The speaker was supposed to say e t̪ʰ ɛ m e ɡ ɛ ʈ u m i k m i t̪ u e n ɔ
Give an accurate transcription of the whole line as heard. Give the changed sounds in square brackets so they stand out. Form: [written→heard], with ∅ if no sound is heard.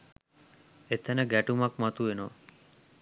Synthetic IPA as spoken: e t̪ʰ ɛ [m→n] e ɡ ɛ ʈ u m [i→a] k m [i→a] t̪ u e n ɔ